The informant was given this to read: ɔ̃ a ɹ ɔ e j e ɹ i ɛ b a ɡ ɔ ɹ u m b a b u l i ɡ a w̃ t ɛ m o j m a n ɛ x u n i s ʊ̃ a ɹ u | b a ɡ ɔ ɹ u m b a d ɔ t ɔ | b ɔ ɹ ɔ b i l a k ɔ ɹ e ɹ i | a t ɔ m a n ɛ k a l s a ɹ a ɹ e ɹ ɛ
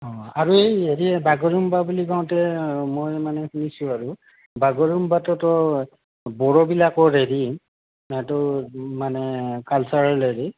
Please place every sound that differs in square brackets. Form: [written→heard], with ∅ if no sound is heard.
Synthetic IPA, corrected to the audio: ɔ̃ a ɹ [ɔ→u] e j e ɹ i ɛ b a ɡ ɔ ɹ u m b a b u l i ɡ a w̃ t ɛ m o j m a n ɛ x u n i s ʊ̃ a ɹ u | b a ɡ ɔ ɹ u m b a [d→t] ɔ t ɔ | b ɔ ɹ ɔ b i l a k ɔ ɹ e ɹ i | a t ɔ m a n ɛ k a l s a ɹ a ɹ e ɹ [ɛ→i]

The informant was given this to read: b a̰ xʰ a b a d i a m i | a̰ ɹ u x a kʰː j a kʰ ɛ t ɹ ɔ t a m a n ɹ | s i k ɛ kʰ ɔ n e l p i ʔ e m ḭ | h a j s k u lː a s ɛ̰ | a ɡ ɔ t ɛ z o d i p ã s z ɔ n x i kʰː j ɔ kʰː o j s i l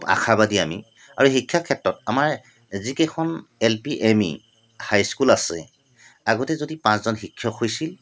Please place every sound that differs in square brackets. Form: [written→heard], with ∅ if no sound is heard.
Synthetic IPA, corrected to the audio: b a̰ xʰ a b a d i a m i | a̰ ɹ u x [a→i] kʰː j a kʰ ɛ t ɹ ɔ t a m a [n→∅] ɹ | [s→z] i k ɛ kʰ ɔ n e l p i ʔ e m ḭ | h a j s k u [lː→l] a s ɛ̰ | a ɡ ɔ t ɛ z o d i p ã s z ɔ n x i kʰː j ɔ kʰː o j s i l

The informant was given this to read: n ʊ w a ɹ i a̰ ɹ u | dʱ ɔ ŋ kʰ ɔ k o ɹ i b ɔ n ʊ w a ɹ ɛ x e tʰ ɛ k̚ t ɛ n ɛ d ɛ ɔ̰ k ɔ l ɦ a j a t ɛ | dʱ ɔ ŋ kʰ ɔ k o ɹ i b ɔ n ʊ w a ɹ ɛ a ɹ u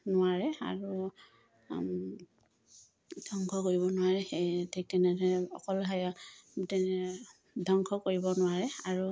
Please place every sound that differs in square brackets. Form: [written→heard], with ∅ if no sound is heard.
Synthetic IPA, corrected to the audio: n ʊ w a ɹ [i→ɛ] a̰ ɹ u | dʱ ɔ ŋ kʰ ɔ k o ɹ i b ɔ n ʊ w a ɹ ɛ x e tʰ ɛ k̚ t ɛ n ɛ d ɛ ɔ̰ k ɔ l ɦ a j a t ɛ | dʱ ɔ ŋ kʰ ɔ k o ɹ i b ɔ n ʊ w a ɹ ɛ a ɹ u

